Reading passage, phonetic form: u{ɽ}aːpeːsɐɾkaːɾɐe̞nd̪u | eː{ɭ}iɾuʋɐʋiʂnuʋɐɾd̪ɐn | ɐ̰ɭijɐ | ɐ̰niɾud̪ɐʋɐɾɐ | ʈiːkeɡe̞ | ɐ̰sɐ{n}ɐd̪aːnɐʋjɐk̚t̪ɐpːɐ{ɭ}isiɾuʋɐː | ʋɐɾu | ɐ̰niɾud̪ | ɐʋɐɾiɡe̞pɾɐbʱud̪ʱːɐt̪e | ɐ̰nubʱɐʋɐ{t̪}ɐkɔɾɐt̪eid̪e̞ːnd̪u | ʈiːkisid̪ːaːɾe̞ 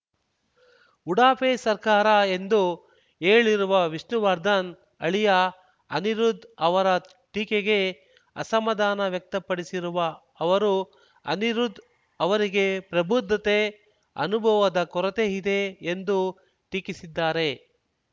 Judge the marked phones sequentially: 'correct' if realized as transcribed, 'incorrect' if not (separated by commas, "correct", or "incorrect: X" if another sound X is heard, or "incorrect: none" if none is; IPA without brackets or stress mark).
correct, correct, incorrect: m, incorrect: ɽ, incorrect: d̪